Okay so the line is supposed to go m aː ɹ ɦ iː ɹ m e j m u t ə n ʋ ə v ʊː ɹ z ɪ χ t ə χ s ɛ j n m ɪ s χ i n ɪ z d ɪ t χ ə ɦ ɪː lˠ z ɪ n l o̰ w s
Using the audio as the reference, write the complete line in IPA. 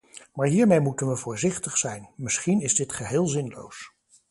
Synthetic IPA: m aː ɹ ɦ iː ɹ m e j m u t ə n ʋ ə v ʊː ɹ z ɪ χ t ə χ s ɛ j n m ɪ s χ i n ɪ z d ɪ t χ ə ɦ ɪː lˠ z ɪ n l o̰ w s